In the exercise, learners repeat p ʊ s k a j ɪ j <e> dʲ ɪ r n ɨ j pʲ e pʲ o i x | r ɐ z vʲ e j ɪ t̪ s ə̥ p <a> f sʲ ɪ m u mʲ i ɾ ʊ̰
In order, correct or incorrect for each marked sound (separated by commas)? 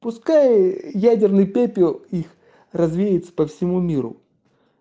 incorrect, incorrect